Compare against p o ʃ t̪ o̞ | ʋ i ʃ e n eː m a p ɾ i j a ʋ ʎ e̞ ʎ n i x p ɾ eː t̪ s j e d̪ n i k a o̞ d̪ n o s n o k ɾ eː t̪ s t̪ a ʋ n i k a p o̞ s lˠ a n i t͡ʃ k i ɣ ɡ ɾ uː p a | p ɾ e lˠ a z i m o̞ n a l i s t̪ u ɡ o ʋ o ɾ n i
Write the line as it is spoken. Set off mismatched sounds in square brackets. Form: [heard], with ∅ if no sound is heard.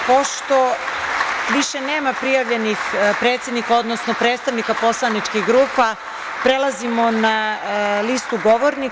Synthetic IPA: p o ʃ t̪ o̞ | ʋ i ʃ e n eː m a p ɾ i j a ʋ ʎ e̞ [∅] n i x p ɾ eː t̪ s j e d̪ n i k a o̞ d̪ n o s n o [p] ɾ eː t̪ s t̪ a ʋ n i k a p o̞ s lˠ a n i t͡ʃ k i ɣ ɡ ɾ uː p a | p ɾ e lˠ a z i m o̞ n a l i s t̪ u ɡ o ʋ o ɾ n i